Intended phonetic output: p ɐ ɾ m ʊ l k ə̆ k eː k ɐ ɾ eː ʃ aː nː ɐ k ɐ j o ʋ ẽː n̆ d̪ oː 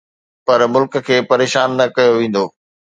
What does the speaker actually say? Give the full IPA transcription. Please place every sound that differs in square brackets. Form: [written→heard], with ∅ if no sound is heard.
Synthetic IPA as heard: p ɐ ɾ m ʊ l k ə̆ [k→kʰ] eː [k→p] ɐ ɾ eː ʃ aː nː ɐ k ɐ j o ʋ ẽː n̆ d̪ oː